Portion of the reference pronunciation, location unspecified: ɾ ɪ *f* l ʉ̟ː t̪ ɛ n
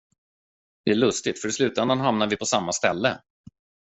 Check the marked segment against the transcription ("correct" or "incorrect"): incorrect